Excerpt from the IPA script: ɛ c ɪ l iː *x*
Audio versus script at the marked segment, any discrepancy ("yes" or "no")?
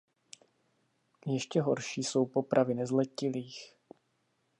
no